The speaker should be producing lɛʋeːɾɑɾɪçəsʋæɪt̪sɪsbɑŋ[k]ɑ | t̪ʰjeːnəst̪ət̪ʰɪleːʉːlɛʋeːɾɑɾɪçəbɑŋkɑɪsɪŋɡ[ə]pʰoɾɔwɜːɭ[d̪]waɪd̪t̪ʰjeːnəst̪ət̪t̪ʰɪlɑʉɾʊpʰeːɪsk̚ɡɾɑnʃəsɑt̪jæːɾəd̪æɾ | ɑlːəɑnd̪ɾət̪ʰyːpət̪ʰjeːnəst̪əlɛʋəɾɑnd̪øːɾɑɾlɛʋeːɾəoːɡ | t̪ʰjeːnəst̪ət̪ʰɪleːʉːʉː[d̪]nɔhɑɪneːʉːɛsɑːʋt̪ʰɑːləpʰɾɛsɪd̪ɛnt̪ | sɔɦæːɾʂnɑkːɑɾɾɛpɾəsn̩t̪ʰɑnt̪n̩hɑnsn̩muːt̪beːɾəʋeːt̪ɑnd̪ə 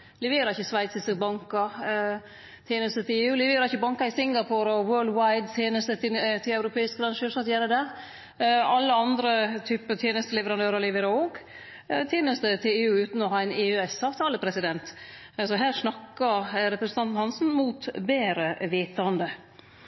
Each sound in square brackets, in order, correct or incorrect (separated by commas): correct, incorrect, correct, incorrect